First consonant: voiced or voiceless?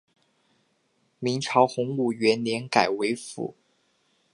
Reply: voiced